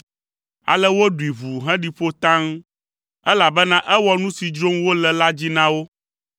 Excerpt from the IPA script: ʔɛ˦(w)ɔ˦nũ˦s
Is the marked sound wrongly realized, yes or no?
no